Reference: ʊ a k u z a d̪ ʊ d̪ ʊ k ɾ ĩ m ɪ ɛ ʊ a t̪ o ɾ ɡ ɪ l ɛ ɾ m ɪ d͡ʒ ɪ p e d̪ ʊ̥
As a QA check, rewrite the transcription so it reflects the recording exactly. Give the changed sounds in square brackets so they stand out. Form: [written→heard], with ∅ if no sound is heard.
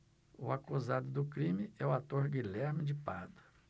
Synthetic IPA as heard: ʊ a k u z a d̪ ʊ d̪ ʊ k ɾ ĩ m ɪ ɛ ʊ a t̪ o ɾ ɡ [ɪ→i] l ɛ ɾ m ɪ d͡ʒ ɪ p [e→a] d̪ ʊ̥